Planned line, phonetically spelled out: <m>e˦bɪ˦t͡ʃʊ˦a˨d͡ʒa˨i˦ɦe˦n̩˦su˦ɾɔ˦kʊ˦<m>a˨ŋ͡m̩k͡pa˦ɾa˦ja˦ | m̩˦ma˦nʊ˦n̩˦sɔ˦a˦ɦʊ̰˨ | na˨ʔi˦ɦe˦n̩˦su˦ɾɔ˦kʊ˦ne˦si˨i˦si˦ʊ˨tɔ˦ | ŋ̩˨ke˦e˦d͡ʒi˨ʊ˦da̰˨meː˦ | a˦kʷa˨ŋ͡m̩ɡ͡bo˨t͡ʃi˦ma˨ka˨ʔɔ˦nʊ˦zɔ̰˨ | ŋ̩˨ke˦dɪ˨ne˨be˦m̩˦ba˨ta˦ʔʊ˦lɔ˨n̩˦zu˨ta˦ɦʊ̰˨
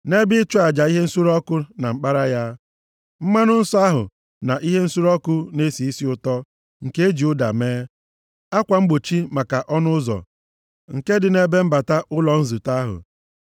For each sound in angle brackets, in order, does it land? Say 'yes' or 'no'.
no, no

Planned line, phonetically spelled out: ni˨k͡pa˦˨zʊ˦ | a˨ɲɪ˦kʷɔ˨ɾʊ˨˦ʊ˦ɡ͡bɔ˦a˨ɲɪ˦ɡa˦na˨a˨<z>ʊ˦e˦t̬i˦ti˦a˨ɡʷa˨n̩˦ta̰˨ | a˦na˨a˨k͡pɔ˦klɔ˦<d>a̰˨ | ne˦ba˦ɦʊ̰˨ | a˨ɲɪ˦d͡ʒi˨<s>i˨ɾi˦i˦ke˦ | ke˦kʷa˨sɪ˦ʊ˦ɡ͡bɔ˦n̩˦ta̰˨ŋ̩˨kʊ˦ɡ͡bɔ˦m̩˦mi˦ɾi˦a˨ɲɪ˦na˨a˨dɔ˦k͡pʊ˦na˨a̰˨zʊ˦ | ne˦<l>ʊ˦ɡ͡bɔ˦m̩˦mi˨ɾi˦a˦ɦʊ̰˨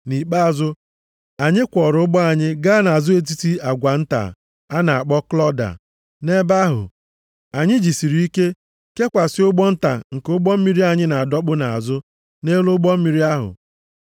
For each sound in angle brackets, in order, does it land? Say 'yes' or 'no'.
yes, yes, yes, yes

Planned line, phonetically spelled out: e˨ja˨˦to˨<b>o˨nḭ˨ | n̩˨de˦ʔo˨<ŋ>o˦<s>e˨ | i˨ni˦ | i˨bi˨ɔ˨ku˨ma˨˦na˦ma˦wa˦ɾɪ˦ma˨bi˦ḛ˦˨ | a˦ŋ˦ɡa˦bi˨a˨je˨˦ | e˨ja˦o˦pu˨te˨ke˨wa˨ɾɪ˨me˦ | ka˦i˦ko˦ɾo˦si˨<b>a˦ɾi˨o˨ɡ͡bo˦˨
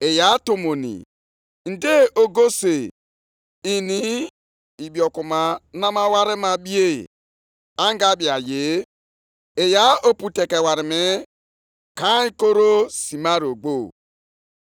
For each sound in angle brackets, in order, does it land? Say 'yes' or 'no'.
no, no, yes, no

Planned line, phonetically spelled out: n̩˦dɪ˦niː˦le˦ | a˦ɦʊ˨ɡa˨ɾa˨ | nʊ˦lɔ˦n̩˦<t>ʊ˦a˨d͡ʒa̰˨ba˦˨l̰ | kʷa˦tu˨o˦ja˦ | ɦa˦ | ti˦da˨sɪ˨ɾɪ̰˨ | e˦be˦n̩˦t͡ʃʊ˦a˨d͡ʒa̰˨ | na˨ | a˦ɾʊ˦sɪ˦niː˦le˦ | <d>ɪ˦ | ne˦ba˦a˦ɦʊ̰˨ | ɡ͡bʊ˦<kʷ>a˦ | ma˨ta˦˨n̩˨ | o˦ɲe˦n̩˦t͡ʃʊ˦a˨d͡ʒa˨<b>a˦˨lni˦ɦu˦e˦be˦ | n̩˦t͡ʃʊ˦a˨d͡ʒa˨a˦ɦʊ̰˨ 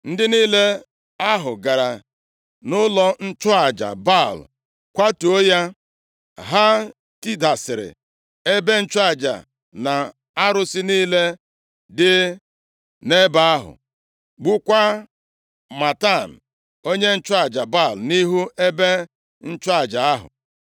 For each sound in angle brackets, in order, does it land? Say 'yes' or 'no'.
no, yes, yes, yes

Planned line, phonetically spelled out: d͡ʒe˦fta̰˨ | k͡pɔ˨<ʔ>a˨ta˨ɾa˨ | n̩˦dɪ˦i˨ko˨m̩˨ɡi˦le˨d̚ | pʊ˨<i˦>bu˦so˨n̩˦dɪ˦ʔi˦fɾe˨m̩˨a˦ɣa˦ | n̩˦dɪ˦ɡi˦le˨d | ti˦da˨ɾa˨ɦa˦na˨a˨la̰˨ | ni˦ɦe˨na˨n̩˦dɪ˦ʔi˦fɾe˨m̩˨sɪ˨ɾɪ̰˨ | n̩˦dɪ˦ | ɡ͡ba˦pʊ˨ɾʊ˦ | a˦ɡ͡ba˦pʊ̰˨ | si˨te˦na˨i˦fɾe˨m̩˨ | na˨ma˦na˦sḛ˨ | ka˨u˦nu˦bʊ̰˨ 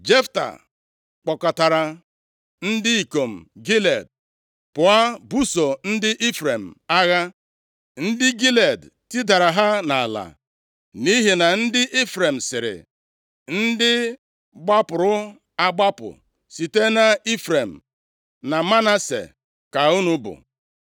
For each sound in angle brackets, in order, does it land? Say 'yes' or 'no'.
no, no

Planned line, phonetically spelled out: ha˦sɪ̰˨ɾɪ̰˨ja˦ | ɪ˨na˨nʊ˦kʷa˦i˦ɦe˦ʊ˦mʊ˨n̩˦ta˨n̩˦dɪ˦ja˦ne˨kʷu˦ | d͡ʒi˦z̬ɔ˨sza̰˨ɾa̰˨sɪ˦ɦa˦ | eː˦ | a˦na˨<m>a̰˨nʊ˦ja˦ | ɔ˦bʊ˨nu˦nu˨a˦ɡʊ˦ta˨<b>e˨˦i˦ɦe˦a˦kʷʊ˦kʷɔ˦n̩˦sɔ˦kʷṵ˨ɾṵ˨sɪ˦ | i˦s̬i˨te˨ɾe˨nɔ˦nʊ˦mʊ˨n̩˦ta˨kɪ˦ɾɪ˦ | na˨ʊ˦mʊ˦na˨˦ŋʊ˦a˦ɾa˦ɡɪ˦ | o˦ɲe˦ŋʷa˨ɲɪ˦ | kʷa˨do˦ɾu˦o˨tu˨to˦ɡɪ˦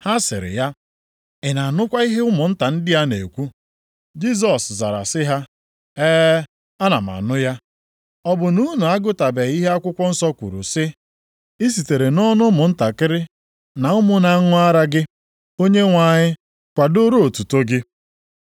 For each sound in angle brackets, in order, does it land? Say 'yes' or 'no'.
yes, yes

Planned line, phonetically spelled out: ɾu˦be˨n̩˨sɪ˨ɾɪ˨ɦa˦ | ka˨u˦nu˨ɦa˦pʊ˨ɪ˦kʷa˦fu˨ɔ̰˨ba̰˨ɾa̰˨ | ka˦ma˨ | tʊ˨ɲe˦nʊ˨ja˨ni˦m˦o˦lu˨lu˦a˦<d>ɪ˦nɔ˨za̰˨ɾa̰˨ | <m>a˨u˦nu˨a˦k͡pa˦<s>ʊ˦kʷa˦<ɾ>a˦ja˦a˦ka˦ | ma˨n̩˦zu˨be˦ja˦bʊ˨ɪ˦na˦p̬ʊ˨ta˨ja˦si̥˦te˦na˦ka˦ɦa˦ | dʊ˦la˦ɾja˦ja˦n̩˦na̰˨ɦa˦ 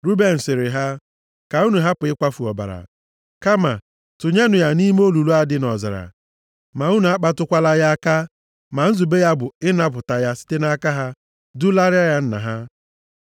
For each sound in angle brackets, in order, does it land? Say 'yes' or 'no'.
yes, yes, no, no

